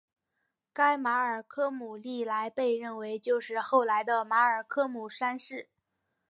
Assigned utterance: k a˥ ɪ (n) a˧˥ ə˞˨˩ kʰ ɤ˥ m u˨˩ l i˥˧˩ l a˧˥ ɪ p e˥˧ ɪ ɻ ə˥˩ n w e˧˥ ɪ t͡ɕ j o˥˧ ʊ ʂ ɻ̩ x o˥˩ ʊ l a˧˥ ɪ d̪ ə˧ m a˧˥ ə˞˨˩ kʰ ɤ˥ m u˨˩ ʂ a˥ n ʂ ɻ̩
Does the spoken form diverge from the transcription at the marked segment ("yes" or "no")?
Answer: yes